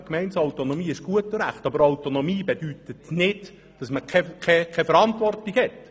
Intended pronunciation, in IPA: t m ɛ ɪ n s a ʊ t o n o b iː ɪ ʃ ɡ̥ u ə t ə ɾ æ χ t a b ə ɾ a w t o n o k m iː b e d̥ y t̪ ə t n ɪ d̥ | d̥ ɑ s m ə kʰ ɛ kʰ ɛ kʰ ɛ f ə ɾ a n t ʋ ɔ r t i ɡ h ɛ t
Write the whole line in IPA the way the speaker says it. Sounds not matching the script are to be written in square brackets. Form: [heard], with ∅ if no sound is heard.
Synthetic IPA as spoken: [k] m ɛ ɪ n s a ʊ t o n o [m] iː ɪ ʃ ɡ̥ u ə t ə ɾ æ χ t [ɑ] b ə ɾ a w t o n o [∅] m iː b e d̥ y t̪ ə t n ɪ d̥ | d̥ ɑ s m ə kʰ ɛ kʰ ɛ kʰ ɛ f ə ɾ [ɑ] n t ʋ ɔ r t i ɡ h ɛ t